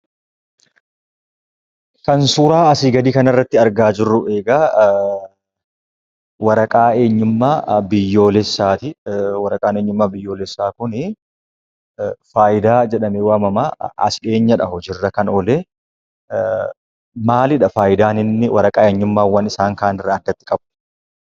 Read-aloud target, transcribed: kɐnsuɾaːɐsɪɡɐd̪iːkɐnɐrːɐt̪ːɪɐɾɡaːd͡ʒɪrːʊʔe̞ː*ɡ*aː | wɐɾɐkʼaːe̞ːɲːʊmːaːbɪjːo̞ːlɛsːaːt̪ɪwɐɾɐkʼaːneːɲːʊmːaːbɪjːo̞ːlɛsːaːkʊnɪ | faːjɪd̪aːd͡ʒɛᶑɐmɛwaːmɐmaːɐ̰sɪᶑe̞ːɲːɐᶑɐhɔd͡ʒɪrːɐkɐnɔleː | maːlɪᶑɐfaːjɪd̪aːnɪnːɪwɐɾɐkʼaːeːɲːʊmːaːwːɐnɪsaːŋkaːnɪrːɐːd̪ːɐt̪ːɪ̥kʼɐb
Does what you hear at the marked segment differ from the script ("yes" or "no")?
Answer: no